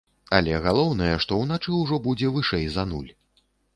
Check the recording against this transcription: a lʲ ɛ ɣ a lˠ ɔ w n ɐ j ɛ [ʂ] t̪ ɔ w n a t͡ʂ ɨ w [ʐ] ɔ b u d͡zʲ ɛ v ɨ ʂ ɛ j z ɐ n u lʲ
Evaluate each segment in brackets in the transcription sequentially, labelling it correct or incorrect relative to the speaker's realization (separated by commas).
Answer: correct, correct